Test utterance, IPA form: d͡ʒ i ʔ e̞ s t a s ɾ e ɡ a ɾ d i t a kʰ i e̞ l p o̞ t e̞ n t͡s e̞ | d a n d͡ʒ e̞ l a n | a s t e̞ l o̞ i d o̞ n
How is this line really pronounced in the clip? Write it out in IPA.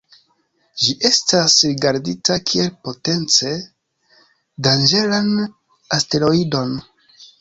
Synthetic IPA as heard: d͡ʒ i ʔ e̞ s t a s ɾ i ɡ a ɾ d i t a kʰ i e̞ l p o̞ t e̞ n t͡s e̞ | d a n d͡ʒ e̞ l a n | a s t e̞ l o̞ i d o̞ n

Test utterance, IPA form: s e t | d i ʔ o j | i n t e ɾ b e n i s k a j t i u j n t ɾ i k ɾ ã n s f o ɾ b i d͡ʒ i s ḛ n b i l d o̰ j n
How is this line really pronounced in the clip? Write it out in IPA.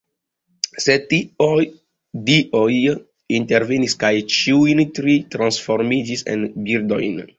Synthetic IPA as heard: s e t | d i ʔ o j | i n t e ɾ v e n i s k a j t͡ʃ i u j n t ɾ i t ɾ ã n s f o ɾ m i d͡ʒ i s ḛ n b i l d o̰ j n

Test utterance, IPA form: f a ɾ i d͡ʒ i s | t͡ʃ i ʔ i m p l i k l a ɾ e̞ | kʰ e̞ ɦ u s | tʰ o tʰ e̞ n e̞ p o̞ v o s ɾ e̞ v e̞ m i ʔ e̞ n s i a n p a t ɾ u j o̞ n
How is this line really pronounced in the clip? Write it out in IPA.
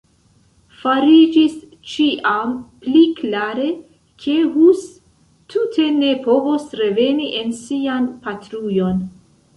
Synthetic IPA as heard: f a ɾ i d͡ʒ i s | t͡ʃ i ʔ a m p l i k l a ɾ e̞ | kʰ e̞ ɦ u s | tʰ u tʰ e̞ n e̞ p o̞ v o s ɾ e̞ v e̞ n i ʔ e̞ n s i a n p a t ɾ u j o̞ n

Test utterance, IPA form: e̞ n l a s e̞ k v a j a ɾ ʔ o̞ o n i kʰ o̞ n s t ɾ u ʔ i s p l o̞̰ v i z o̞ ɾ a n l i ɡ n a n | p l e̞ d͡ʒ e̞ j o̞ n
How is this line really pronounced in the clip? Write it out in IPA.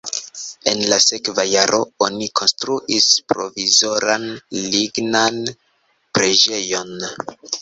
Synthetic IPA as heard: e̞ n l a s e̞ k v a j a ɾ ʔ o̞ o n i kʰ o̞ n s t ɾ u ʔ i s p ɾ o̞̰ v i z o̞ ɾ a n l i ɡ n a n | p ɾ e̞ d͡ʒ e̞ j o̞ n

